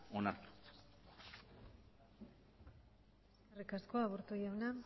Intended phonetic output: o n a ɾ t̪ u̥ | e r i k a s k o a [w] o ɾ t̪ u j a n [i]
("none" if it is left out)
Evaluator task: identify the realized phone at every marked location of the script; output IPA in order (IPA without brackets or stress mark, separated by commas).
β, a